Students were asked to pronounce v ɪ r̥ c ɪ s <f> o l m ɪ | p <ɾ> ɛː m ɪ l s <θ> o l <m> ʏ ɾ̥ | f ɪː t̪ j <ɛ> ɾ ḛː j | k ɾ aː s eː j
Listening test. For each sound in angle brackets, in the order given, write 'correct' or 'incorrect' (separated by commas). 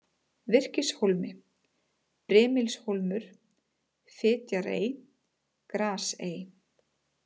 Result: incorrect, correct, incorrect, correct, incorrect